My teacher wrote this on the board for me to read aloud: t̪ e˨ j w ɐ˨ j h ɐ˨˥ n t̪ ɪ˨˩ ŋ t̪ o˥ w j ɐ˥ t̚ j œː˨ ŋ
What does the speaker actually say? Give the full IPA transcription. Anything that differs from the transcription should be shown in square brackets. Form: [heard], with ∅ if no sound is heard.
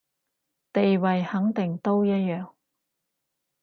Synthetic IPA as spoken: t̪ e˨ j w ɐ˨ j h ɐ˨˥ [ŋ] t̪ ɪ˨˩ ŋ t̪ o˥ w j ɐ˥ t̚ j œː˨ ŋ